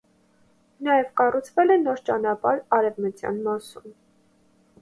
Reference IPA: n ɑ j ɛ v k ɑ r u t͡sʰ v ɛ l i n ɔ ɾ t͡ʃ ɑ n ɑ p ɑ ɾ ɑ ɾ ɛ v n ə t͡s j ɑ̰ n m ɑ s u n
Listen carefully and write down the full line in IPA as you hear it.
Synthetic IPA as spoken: n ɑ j ɛ v k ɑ r u t͡sʰ v ɛ l ɛ n ɔ ɾ t͡ʃ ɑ n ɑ p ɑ ɾ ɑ ɾ ɛ v m ə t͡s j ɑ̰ n m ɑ s u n